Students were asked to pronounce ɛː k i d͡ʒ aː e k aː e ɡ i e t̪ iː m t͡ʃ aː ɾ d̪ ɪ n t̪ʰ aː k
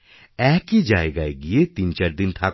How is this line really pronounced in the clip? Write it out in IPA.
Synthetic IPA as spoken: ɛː k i d͡ʒ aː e ɡ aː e ɡ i e t̪ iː n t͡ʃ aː ɾ d̪ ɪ n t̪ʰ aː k